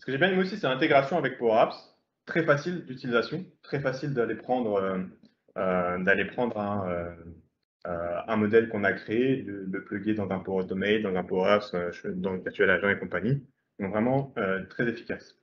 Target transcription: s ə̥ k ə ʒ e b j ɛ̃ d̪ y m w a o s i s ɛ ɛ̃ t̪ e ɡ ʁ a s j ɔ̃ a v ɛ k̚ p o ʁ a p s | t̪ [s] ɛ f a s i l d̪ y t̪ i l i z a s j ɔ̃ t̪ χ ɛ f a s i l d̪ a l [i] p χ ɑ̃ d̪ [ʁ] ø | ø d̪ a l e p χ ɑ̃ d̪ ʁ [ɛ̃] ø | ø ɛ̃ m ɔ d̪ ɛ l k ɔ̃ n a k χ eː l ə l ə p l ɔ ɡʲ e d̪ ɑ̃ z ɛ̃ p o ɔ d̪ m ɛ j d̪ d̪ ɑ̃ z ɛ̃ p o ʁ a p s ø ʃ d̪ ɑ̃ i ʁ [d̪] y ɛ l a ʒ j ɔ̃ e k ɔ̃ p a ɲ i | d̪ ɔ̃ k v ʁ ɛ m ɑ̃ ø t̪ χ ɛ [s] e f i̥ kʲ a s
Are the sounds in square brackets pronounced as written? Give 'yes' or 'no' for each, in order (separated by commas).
no, no, yes, yes, no, no